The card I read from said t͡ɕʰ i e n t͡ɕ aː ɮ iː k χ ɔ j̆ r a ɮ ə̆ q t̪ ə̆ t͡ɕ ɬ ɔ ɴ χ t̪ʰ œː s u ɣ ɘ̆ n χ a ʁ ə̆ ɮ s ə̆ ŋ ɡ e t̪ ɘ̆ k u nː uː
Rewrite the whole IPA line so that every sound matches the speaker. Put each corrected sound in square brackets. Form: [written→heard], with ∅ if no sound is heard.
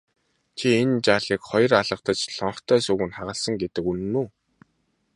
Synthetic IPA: t͡ɕʰ i e n t͡ɕ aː ɮ iː k χ ɔ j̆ r a ɮ ə̆ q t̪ ə̆ t͡ɕ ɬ ɔ ɴ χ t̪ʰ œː s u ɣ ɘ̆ n χ a ʁ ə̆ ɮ s ə̆ ŋ ɡ e t̪ ɘ̆ k u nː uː